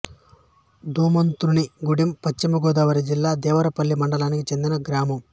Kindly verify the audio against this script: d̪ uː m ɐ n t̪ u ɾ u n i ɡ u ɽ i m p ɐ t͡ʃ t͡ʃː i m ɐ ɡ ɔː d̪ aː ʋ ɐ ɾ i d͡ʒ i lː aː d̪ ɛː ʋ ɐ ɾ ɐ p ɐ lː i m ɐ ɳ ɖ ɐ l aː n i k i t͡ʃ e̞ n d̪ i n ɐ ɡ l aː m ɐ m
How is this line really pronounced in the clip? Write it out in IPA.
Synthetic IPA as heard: d̪ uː m ɐ n t̪ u ɾ u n i ɡ u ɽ i m p ɐ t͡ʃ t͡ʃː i m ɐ ɡ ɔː d̪ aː ʋ ɐ ɾ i d͡ʒ i lː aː d̪ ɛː ʋ ɐ ɾ ɐ p ɐ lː i m ɐ ɳ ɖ ɐ l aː n i k i t͡ʃ e̞ n d̪ i n ɐ ɡ ɾ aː m ɐ m